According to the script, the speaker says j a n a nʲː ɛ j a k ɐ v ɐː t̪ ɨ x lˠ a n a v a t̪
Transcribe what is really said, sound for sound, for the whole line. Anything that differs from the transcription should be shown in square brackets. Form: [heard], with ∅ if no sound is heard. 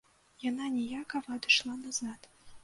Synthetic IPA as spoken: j a n a [nʲ] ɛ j a k ɐ v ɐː [d̪] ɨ [ʂ] lˠ a n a [z] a t̪